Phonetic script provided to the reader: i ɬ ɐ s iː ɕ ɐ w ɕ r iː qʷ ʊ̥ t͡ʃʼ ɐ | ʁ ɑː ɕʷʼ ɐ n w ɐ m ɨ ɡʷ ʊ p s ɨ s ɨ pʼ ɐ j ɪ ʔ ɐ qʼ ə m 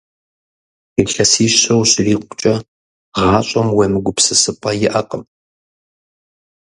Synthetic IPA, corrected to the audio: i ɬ ɐ s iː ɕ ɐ w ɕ r iː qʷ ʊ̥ t͡ʃʼ ɐ | ʁ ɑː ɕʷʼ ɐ m w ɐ m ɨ ɡʷ ʊ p s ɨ s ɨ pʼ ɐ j ɪ ʔ ɐ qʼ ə m